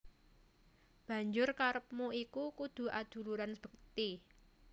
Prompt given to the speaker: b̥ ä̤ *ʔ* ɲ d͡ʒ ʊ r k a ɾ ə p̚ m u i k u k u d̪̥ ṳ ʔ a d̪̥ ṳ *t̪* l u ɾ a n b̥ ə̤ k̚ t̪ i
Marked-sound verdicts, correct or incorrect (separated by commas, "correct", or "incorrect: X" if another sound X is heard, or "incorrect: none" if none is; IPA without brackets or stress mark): incorrect: none, incorrect: none